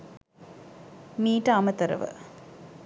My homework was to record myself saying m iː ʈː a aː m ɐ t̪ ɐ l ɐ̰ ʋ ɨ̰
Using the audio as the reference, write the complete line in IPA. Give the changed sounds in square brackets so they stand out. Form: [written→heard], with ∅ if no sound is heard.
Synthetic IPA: m iː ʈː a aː m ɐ t̪ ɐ [l→ɾ] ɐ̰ ʋ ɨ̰